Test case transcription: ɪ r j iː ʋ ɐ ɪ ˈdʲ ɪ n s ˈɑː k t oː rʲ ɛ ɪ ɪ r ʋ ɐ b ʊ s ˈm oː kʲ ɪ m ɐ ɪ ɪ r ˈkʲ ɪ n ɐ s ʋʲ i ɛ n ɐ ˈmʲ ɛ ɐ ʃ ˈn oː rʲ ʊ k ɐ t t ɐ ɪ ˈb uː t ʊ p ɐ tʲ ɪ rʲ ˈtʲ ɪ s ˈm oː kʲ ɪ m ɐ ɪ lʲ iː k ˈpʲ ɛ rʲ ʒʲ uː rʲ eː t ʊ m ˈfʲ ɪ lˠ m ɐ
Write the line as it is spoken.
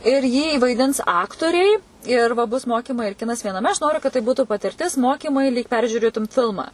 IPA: ɪ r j iː ʋ ɐ ɪ ˈdʲ ɪ n s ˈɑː k t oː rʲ ɛ ɪ ɪ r ʋ ɐ b ʊ s ˈm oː kʲ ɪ m ɐ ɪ ɪ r ˈkʲ ɪ n ɐ s ʋʲ i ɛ n ɐ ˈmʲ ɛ ɐ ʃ ˈn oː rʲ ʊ k ɐ t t ɐ ɪ ˈb uː t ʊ p ɐ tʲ ɪ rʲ ˈtʲ ɪ s ˈm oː kʲ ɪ m ɐ ɪ lʲ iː k ˈpʲ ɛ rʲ ʒʲ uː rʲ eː t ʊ m ˈfʲ ɪ lˠ m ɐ